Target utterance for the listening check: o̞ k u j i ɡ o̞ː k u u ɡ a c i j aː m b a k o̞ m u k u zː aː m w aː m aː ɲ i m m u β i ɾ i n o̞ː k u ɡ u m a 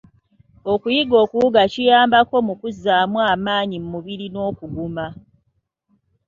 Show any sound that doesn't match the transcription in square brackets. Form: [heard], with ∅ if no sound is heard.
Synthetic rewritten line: o̞ k u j i ɡ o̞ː k u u ɡ a c i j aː m b a k o̞ m u k u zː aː m w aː m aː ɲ i m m u β i ɾ i n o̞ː k u ɡ u m a